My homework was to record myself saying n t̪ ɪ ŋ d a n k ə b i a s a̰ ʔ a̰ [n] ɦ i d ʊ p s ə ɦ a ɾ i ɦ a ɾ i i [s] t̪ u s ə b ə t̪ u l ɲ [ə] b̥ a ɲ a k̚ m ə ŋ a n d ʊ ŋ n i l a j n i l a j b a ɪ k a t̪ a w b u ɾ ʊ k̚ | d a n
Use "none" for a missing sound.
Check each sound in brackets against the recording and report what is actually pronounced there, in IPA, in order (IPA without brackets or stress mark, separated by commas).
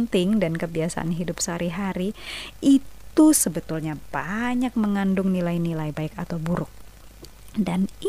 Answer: n, t, a